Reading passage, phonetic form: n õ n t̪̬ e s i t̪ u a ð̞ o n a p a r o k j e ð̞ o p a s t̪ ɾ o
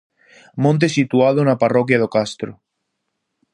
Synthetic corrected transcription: m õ n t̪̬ e s i t̪ u a ð̞ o n a p a r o k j a ð̞ o k a s t̪ ɾ o